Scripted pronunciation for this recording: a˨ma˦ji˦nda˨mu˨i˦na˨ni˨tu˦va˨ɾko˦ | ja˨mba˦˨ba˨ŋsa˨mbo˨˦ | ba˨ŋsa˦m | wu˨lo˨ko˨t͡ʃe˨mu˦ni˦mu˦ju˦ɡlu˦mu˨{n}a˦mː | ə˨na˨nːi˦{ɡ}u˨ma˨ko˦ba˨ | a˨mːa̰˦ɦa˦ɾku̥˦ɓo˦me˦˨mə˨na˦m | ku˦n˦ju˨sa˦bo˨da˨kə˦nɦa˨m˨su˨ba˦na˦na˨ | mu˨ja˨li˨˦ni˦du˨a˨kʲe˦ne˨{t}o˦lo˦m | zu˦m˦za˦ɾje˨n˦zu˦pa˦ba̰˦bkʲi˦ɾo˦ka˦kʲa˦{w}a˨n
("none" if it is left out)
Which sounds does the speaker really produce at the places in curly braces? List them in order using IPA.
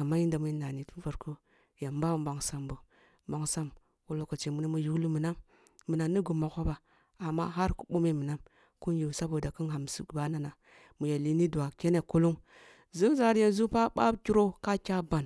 n, ɡ, k, b

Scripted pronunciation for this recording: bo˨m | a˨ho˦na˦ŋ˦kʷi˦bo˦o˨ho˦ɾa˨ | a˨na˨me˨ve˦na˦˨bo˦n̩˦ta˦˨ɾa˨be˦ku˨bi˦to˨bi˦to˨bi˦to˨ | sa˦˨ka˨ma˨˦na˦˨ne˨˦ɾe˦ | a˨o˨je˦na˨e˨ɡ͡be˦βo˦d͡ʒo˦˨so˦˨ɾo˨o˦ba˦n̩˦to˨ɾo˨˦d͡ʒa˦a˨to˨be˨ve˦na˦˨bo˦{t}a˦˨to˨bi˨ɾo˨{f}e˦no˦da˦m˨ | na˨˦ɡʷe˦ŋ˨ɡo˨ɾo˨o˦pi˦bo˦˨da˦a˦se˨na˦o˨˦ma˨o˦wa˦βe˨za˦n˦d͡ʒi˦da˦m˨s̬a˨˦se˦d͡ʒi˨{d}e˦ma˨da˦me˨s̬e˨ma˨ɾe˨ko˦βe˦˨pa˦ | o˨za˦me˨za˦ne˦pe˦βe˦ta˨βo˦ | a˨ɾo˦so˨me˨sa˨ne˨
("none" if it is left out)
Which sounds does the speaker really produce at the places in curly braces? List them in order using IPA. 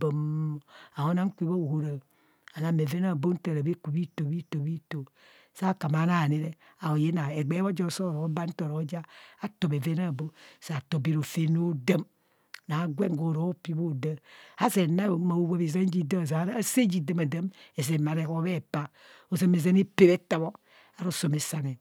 s, f, d

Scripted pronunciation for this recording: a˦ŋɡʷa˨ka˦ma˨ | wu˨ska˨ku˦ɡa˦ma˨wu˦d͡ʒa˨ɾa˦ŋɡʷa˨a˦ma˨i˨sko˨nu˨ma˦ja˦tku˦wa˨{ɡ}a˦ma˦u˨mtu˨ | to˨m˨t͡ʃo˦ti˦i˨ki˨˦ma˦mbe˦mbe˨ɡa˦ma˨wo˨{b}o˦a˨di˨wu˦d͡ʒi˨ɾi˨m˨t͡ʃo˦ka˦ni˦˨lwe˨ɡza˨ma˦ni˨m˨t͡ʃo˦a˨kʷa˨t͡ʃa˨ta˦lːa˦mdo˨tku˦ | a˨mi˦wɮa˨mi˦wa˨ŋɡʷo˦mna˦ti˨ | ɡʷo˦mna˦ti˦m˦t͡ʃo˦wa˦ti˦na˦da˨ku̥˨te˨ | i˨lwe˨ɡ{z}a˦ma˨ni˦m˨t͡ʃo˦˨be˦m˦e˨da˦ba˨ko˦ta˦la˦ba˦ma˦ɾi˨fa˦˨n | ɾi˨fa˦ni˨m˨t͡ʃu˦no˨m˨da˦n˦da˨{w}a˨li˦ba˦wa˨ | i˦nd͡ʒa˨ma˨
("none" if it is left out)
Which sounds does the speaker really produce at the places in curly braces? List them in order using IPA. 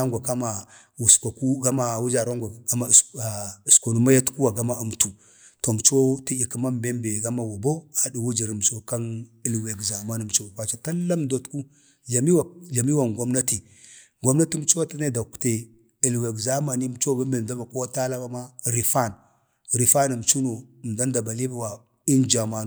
ɡ, b, z, b

